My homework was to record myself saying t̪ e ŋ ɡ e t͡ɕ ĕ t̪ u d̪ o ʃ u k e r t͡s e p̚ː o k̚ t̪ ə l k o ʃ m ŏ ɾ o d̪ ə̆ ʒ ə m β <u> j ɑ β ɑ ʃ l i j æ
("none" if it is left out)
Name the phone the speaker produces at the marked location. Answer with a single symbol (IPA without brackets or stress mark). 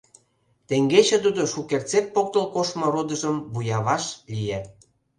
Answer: u